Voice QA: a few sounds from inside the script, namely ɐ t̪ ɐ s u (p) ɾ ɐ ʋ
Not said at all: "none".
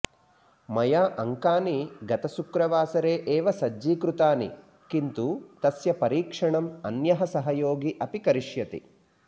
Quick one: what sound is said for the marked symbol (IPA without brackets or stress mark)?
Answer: k